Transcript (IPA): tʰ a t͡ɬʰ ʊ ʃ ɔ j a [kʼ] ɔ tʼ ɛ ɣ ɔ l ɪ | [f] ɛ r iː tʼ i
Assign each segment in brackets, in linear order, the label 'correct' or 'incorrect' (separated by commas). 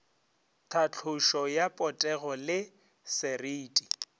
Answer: incorrect, incorrect